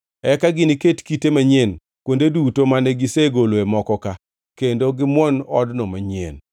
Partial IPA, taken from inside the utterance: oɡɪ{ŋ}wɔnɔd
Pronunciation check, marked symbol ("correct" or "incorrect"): incorrect